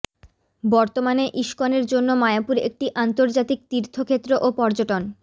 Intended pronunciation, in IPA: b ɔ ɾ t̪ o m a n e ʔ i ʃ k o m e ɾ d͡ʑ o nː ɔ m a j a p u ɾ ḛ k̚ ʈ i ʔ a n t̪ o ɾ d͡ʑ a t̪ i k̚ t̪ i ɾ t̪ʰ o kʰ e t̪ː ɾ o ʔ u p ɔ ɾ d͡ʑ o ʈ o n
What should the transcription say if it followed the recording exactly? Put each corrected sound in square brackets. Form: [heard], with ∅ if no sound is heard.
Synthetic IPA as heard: b ɔ ɾ t̪ o m a n e ʔ i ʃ k o [n] e ɾ d͡ʑ o nː [o] m a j a p u ɾ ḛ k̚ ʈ i ʔ a n t̪ o ɾ d͡ʑ a t̪ i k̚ t̪ i ɾ t̪ʰ o kʰ e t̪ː ɾ o ʔ [o] p ɔ ɾ d͡ʑ o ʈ o n